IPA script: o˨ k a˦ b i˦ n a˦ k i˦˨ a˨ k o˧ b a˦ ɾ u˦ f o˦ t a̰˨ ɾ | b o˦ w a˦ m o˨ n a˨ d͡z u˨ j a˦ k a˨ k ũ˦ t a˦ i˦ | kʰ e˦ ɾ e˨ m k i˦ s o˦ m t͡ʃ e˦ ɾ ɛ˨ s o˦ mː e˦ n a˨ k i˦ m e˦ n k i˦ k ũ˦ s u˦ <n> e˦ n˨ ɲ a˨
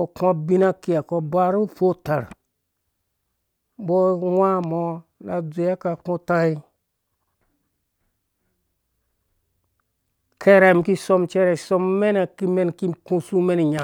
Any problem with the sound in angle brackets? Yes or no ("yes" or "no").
yes